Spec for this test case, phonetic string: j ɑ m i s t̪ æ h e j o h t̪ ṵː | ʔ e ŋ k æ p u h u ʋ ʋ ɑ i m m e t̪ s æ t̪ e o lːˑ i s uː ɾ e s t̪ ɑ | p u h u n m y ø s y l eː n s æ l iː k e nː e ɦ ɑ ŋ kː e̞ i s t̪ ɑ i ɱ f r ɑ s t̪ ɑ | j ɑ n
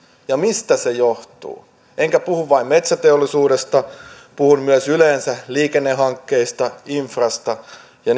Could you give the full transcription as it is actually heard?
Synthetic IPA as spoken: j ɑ m i s t̪ æ s e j o h t̪ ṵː | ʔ e ŋ k æ p u h u ʋ ʋ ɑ i m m e t̪ s æ t̪ e o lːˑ i s uː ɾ e s t̪ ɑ | p u h u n m y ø s y l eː n s æ l iː k e nː e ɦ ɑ ŋ kː e̞ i s t̪ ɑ i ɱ f r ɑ s t̪ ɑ | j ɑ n